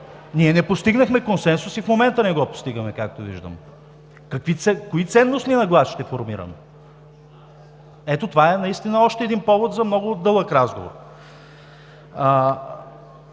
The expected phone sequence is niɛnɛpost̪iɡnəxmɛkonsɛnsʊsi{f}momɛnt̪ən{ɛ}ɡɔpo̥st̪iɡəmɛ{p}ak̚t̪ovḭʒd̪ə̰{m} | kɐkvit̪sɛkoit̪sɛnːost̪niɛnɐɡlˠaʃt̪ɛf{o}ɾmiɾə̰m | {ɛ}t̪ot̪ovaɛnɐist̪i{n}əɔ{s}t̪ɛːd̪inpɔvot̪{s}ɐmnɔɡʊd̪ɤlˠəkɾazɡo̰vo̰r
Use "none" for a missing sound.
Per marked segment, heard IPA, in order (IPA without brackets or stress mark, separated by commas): f, ɛ, k, m, o, ɛ, n, ʃ, z